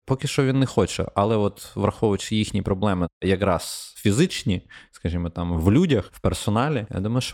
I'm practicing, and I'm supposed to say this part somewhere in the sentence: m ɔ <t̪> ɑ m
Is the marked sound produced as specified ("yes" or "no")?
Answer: yes